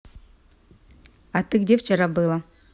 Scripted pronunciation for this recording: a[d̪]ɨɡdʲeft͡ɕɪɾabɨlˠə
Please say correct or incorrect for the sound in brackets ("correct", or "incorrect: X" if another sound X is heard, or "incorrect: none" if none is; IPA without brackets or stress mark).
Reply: incorrect: t̪